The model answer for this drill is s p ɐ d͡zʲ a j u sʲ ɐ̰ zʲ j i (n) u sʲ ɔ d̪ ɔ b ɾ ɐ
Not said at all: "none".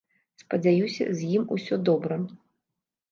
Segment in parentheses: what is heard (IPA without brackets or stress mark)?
m